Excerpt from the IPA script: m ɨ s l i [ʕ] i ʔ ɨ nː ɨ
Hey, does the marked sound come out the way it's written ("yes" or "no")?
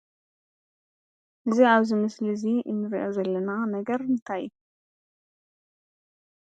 no